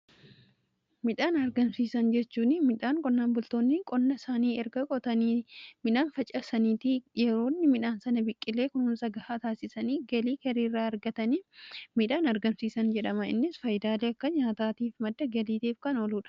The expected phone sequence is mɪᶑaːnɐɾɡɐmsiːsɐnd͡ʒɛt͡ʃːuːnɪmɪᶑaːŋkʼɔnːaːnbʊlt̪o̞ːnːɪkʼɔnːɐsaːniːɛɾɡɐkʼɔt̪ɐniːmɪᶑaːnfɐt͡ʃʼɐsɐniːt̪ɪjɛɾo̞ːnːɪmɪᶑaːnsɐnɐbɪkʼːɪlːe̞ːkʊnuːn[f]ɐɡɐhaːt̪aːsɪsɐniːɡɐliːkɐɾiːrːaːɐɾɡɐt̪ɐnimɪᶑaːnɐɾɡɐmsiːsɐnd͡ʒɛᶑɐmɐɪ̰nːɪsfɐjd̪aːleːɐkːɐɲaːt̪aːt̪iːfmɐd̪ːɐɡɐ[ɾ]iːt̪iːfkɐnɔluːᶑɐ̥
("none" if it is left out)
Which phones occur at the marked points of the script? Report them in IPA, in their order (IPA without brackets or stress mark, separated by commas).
s, l